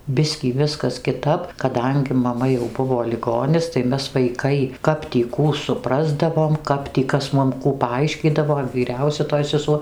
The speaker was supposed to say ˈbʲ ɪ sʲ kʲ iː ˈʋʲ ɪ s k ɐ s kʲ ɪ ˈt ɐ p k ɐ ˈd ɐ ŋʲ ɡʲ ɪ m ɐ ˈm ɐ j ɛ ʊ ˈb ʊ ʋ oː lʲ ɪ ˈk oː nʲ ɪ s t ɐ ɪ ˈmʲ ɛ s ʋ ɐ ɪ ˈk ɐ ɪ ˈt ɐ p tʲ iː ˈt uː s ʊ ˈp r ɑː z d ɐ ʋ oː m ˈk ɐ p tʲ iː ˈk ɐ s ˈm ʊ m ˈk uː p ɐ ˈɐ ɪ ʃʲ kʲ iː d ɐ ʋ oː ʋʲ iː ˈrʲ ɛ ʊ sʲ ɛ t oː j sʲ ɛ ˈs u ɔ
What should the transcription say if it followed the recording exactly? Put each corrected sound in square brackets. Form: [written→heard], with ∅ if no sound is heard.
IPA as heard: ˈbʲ ɪ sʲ kʲ iː ˈʋʲ ɪ s k ɐ s kʲ ɪ ˈt ɐ p k ɐ ˈd ɐ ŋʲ ɡʲ ɪ m ɐ ˈm ɐ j ɛ ʊ ˈb ʊ ʋ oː lʲ ɪ [ˈk→ˈɡ] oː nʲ ɪ s t ɐ ɪ ˈmʲ ɛ s ʋ ɐ ɪ ˈk ɐ ɪ [ˈt→ˈk] ɐ p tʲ iː [ˈt→ˈk] uː s ʊ ˈp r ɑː z d ɐ ʋ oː m ˈk ɐ p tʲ iː ˈk ɐ s ˈm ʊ m ˈk uː p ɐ ˈɐ ɪ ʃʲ kʲ iː d ɐ ʋ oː ʋʲ iː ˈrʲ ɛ ʊ sʲ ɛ t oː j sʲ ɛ ˈs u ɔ